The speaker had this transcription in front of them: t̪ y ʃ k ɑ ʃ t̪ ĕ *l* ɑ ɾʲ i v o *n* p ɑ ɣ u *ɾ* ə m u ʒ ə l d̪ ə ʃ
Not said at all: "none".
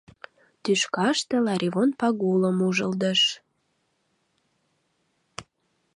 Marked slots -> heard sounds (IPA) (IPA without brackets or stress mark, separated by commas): l, n, l